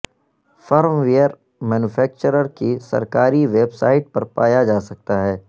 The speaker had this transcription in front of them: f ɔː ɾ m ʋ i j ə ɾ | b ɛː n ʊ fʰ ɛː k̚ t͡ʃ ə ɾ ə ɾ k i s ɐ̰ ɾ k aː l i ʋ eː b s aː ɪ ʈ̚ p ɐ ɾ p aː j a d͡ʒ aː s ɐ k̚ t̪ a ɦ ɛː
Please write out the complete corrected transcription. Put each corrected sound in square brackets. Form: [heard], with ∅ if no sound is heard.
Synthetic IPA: f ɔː ɾ m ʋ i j ə ɾ | [m] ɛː n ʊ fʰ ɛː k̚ t͡ʃ ə ɾ ə ɾ k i s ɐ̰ ɾ k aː [ɾ] i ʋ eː b s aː ɪ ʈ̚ p ɐ ɾ p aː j a d͡ʒ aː s ɐ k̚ t̪ a ɦ ɛː